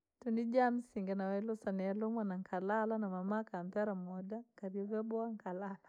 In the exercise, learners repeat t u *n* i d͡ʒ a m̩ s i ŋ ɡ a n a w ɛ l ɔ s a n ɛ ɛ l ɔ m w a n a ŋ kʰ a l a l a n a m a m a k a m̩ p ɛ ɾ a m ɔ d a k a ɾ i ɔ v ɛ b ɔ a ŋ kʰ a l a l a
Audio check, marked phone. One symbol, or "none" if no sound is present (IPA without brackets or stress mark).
n